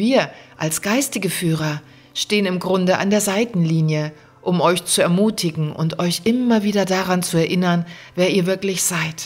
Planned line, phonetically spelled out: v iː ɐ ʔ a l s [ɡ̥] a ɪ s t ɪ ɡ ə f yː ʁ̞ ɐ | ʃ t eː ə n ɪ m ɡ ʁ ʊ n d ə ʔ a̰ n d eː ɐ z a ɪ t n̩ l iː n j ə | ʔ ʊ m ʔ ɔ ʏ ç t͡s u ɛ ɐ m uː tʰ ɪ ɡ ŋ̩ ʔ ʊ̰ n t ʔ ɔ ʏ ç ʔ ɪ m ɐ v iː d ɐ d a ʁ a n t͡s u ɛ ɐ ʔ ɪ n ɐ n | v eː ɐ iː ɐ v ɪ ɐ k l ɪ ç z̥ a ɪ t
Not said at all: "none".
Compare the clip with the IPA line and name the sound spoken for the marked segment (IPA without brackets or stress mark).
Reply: ɡ̥